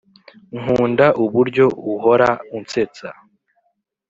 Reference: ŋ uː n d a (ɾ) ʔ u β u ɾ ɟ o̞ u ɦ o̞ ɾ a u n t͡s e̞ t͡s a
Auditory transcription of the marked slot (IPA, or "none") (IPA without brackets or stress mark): none